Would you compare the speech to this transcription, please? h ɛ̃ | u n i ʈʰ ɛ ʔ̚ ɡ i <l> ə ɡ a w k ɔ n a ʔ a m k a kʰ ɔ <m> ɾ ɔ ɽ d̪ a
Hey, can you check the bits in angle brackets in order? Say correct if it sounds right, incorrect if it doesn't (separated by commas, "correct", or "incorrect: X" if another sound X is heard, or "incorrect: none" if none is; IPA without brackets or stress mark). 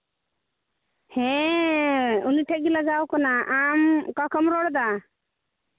correct, correct